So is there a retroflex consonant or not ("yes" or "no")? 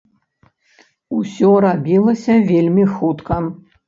no